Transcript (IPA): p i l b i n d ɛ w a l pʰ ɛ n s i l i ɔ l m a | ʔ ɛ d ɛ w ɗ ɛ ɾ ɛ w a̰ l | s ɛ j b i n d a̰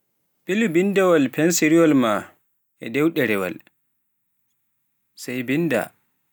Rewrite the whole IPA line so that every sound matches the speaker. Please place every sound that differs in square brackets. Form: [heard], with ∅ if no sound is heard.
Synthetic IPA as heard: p i l b i n d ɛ w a l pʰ ɛ n s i [ɾ] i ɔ l m a | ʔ ɛ d ɛ w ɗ ɛ ɾ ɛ w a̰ l | s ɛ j b i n d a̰